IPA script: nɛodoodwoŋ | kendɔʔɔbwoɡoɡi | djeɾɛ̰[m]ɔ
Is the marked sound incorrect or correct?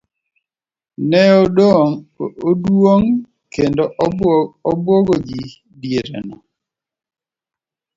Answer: incorrect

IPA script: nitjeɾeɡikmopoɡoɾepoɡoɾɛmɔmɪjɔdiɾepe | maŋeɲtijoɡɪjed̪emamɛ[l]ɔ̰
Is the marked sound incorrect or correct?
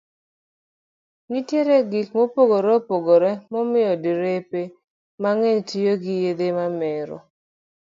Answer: incorrect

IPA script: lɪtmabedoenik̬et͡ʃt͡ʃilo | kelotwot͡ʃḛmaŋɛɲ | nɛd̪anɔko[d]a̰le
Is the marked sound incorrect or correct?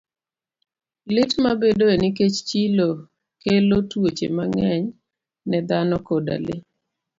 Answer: correct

